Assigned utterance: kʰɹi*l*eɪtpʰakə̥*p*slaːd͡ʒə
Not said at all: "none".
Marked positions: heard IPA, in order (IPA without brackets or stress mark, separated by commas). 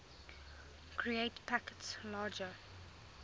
none, t